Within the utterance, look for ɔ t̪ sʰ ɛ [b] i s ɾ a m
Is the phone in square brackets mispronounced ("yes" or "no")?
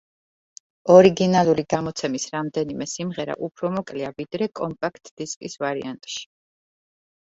yes